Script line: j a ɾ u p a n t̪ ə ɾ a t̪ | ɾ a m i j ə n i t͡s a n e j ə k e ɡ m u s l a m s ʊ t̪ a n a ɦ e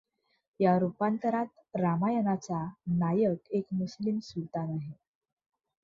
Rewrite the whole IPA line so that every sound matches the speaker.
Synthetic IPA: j a ɾ u p a n t̪ ə ɾ a t̪ | ɾ a m a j ə n a t͡s a n a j ə k e k m u s l i m s u t̪ a n a ɦ e